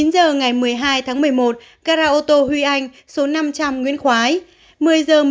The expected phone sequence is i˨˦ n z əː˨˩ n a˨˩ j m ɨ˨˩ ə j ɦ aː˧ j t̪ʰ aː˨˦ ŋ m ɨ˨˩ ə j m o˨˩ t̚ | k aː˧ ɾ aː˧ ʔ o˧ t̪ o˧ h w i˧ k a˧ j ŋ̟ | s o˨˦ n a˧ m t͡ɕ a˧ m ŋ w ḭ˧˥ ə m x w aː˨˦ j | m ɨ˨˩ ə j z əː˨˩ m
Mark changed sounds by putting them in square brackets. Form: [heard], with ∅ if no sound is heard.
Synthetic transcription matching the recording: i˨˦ n z əː˨˩ [ŋ] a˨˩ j m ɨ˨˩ ə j ɦ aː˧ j t̪ʰ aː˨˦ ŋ m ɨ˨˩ ə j m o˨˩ t̚ | k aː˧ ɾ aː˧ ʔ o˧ t̪ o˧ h w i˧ [ʔ] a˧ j ŋ̟ | s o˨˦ n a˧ m t͡ɕ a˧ m ŋ w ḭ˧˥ ə [n] x w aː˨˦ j | m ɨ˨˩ ə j z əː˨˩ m

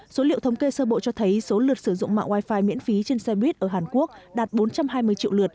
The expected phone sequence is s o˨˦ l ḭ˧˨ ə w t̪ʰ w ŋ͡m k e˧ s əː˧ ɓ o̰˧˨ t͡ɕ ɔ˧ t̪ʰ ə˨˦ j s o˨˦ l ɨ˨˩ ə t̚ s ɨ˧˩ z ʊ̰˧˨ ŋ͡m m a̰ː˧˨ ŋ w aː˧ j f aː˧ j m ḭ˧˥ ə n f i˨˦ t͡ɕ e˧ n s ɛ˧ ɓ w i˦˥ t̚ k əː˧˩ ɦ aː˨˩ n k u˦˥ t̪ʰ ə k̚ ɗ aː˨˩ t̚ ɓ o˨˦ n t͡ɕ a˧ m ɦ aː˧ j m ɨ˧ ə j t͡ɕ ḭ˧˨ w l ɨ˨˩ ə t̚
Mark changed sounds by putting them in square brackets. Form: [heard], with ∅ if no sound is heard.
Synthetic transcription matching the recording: s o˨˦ l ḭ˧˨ ə w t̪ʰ w ŋ͡m k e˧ s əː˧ ɓ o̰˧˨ t͡ɕ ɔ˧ t̪ʰ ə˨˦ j s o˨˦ l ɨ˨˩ ə t̚ s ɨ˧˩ z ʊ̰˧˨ ŋ͡m m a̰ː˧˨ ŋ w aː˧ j f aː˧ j m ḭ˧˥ ə n f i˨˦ t͡ɕ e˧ n s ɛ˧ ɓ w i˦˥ t̚ [ʔ] əː˧˩ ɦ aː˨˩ n k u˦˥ [∅] ə k̚ ɗ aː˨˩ t̚ ɓ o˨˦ n t͡ɕ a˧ m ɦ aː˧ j m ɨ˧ ə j t͡ɕ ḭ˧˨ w l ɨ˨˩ ə t̚

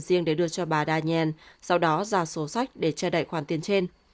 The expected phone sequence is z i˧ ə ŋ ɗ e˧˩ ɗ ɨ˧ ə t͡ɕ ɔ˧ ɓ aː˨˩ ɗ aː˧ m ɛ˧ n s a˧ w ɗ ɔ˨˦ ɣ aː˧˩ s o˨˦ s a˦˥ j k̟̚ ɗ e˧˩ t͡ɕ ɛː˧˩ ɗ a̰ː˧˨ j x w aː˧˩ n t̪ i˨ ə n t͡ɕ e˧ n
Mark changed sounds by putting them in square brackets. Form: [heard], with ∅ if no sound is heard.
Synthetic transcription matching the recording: z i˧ ə ŋ ɗ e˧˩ ɗ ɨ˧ ə t͡ɕ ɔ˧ ɓ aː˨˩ ɗ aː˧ [ɲ] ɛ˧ n s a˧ w ɗ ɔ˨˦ [z] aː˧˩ s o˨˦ s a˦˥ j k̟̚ ɗ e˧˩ t͡ɕ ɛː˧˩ ɗ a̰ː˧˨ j x w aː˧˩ n t̪ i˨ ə n t͡ɕ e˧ n

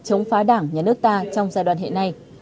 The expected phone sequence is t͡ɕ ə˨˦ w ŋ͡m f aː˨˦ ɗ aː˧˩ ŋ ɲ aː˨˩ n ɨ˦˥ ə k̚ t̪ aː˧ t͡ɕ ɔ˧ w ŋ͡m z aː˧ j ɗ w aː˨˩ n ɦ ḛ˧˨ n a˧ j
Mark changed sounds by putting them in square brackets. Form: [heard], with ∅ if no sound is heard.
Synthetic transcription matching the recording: t͡ɕ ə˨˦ w ŋ͡m f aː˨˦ ɗ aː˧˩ ŋ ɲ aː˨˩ n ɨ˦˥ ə k̚ t̪ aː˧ t͡ɕ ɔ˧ w ŋ͡m z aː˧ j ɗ w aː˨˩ n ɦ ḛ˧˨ n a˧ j

